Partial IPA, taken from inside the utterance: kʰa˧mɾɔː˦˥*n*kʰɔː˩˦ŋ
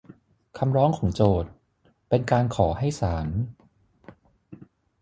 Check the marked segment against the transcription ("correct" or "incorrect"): incorrect